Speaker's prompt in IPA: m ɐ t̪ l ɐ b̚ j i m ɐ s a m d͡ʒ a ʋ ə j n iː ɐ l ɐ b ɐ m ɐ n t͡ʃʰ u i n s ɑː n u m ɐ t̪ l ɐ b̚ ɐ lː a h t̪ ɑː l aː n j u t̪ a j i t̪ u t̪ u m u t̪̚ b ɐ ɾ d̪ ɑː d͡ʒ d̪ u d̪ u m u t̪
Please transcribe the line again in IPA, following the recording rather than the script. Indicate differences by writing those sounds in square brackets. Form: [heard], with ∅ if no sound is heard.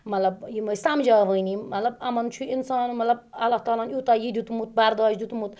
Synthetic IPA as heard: m ɐ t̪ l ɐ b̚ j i m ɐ s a m d͡ʒ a ʋ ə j n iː ɐ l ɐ b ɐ m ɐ n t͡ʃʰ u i n s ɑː n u m ɐ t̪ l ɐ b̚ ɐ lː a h t̪ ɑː l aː n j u t̪ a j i [d̪] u t̪ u m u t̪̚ b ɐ ɾ d̪ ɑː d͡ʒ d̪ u [t̪] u m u t̪